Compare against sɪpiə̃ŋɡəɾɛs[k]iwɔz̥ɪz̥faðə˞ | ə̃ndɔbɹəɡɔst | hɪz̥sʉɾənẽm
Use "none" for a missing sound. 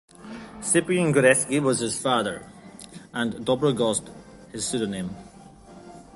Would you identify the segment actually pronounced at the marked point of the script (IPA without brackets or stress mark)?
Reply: k